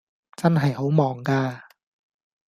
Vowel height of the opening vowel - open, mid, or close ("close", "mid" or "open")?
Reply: open